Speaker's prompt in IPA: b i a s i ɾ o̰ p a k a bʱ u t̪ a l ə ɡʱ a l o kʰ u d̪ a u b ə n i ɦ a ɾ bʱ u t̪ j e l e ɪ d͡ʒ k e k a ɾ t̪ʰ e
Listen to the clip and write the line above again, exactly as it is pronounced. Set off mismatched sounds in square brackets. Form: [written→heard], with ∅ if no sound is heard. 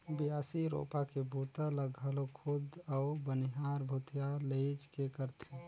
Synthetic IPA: b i a s i ɾ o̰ p a k [a→e] bʱ u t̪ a l ə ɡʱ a l o kʰ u d̪ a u b ə n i ɦ a ɾ bʱ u t̪ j [e→a] l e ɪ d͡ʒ k e k [a→ə] ɾ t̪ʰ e